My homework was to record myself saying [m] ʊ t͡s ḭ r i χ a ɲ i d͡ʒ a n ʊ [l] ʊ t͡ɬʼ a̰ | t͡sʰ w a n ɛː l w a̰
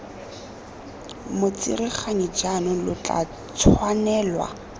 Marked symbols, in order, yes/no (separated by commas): yes, yes